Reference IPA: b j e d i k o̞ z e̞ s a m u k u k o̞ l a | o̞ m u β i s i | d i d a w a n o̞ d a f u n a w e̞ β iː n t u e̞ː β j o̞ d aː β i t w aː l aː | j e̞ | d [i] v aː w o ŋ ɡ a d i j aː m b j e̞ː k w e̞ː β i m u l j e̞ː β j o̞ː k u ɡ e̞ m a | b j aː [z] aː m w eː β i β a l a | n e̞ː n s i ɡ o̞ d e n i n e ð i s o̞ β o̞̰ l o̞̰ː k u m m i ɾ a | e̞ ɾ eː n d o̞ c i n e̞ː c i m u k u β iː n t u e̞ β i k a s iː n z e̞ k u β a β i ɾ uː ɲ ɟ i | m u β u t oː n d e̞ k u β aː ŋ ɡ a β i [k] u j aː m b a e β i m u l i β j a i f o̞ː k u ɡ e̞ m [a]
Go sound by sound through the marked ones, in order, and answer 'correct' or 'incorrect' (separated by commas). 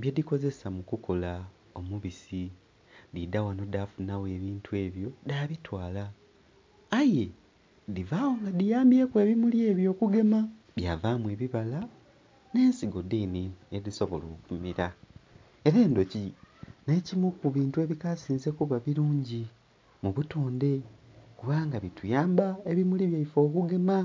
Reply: correct, incorrect, incorrect, correct